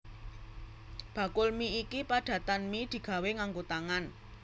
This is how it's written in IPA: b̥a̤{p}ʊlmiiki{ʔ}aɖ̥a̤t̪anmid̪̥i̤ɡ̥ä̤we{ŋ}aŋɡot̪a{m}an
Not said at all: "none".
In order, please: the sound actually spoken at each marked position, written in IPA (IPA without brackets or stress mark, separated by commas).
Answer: k, p, ŋ, ŋ